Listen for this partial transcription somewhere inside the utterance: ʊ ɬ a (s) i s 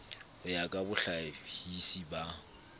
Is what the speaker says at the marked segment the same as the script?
no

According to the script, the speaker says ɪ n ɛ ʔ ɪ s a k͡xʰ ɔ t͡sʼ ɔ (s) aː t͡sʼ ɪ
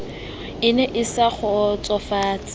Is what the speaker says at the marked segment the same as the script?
no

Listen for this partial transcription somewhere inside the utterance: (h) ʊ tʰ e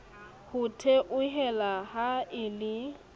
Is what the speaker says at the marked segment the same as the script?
yes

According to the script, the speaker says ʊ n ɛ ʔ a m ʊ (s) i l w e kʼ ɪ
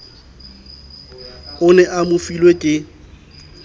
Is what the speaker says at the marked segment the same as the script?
no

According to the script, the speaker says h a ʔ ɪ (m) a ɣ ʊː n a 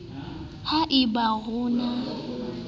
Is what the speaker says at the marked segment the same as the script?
no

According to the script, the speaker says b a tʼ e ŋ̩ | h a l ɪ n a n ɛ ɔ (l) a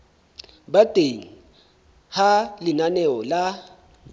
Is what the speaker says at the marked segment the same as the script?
yes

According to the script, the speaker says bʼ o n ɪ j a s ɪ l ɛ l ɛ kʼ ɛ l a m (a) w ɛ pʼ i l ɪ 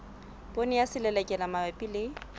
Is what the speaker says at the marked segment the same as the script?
yes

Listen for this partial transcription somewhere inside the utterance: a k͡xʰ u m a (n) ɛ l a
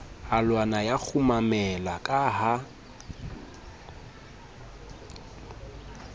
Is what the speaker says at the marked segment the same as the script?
no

